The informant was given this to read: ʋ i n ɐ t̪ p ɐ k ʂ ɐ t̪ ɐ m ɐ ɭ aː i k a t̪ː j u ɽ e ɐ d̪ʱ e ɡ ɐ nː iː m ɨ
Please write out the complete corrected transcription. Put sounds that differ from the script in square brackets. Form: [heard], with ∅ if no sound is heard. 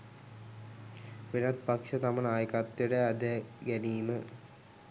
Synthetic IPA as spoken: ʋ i n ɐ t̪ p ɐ k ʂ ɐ t̪ ɐ m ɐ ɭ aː [j] k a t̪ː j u ɽ e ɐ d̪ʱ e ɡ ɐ [n] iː m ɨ